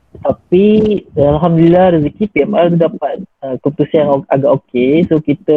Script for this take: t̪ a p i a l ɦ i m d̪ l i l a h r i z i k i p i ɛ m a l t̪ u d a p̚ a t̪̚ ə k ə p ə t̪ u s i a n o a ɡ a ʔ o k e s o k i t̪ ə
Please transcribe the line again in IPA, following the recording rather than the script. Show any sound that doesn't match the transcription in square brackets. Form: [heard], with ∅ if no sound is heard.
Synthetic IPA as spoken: t̪ a p i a l ɦ [a] m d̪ l i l a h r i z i k i p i ɛ m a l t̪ u d a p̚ a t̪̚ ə k ə p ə t̪ u s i a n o a ɡ a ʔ o k e s o k i t̪ ə